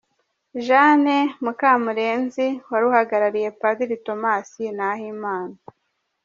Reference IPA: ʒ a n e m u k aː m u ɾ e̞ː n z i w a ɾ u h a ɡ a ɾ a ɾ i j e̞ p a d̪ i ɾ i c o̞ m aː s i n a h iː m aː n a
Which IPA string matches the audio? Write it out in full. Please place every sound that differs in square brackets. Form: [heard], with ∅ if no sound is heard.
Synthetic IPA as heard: ʒ a n e m u k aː m u ɾ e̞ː n z i w a ɾ u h a ɡ a ɾ a ɾ i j e̞ p a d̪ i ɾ i [t] o̞ m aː s i n a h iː m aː n a